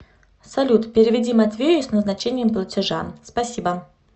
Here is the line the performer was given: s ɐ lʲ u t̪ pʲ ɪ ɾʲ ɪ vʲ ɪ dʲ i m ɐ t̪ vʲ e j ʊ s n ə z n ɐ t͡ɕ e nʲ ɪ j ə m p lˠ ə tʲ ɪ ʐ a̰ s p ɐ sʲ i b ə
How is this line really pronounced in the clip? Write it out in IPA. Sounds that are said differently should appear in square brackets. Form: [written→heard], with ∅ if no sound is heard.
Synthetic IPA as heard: s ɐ lʲ u t̪ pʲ ɪ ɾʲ ɪ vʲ ɪ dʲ i m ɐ t̪ vʲ e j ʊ s n ə z n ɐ t͡ɕ e nʲ ɪ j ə m p lˠ ə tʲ ɪ ʐ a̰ s p ɐ sʲ i b ə

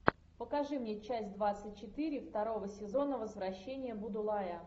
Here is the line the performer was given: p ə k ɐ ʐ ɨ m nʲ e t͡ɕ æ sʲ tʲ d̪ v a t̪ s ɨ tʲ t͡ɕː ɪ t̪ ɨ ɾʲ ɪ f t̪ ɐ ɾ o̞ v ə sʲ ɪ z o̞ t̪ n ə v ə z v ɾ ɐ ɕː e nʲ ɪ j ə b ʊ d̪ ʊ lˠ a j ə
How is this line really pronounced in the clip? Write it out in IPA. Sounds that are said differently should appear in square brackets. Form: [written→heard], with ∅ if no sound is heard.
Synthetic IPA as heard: p ə k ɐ ʐ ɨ m nʲ e t͡ɕ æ sʲ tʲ d̪ v a t̪ s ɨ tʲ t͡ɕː ɪ t̪ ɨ ɾʲ ɪ f t̪ ɐ ɾ o̞ v ə sʲ ɪ z o̞ [t̪→∅] n ə v ə z v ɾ ɐ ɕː e nʲ ɪ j ə b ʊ d̪ ʊ lˠ a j ə

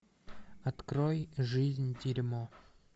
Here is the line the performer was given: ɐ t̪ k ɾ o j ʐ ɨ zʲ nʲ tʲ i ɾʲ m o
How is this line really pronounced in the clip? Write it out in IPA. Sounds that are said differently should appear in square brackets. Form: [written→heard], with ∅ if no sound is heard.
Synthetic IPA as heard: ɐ t̪ k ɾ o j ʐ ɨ zʲ nʲ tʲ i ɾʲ m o

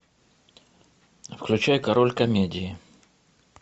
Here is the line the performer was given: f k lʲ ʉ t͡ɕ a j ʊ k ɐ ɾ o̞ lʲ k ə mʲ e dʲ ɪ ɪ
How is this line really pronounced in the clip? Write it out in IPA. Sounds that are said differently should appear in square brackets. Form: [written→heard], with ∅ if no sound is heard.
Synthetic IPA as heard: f k lʲ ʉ t͡ɕ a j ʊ k ɐ ɾ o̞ lʲ k [ə→ɐ] mʲ e dʲ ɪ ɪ

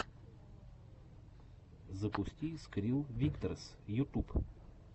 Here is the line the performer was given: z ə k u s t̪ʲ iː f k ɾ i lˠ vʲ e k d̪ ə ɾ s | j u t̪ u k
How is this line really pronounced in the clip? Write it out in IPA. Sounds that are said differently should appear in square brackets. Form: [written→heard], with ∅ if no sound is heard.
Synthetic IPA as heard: z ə [k→p] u s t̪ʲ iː [f→s] k ɾ i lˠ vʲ [e→i] k [d̪→t̪] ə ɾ s | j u t̪ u [k→p]

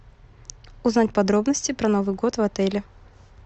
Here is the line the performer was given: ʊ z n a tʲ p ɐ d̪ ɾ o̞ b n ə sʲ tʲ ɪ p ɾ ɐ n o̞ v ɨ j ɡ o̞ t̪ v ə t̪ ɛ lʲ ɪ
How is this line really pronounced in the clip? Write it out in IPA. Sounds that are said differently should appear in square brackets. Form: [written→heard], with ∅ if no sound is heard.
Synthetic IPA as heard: ʊ z n a tʲ p ɐ d̪ ɾ o̞ b n ə sʲ tʲ ɪ p ɾ ɐ n o̞ v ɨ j ɡ o̞ t̪ v [ə→ɐ] t̪ ɛ lʲ ɪ

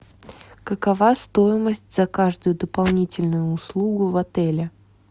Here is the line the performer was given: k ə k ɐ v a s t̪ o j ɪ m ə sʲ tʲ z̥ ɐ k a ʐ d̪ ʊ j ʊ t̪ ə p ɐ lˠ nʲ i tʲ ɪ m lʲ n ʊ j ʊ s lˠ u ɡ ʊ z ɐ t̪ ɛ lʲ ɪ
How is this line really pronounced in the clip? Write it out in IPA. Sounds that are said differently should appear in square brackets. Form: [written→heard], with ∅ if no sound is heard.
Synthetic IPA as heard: k ə k ɐ v a s t̪ o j ɪ m ə sʲ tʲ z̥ ɐ k a ʐ d̪ ʊ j ʊ [t̪→d̪] ə p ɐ lˠ nʲ i tʲ ɪ [m→∅] lʲ n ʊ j [ʊ→ʊː] s lˠ u ɡ ʊ [z→v] ɐ t̪ ɛ lʲ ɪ

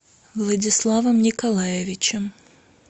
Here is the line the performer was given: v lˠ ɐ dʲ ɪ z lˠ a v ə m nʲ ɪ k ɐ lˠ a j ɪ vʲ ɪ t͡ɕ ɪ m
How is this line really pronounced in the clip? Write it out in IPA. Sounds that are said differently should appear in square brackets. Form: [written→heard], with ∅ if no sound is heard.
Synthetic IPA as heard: v lˠ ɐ dʲ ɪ [z→s] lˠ a v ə m nʲ ɪ k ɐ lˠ a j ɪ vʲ ɪ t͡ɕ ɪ m

